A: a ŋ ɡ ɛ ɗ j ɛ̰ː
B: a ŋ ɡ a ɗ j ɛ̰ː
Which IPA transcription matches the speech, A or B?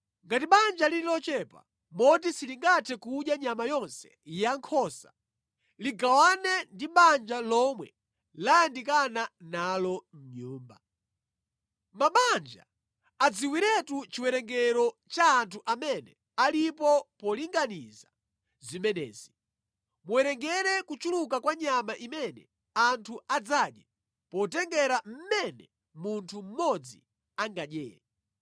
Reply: B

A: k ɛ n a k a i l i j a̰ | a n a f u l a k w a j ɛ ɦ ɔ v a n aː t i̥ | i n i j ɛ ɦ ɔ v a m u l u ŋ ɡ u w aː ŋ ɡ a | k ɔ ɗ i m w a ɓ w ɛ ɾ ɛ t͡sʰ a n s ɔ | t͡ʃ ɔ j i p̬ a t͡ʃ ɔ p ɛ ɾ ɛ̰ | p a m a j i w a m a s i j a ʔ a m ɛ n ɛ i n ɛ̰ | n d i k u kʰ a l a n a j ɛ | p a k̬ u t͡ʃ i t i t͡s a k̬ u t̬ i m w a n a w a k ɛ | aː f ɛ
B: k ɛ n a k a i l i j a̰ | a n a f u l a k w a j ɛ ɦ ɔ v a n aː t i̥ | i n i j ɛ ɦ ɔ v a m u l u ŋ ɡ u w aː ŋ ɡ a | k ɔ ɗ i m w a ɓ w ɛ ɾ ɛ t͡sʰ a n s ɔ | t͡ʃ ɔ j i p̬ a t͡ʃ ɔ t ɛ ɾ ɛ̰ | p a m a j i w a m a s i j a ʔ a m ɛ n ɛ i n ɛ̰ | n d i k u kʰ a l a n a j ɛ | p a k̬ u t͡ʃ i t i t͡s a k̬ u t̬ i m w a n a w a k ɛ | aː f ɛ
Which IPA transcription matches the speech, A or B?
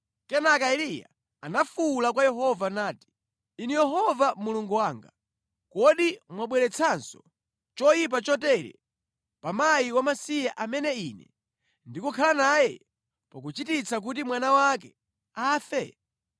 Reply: B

